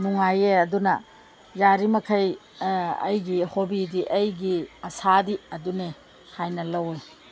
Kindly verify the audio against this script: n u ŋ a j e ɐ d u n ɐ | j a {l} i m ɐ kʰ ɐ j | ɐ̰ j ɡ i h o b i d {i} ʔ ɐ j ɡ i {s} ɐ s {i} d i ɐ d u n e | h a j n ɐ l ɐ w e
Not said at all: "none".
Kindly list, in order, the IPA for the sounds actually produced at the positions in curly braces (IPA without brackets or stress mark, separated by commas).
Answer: ɾ, i, none, a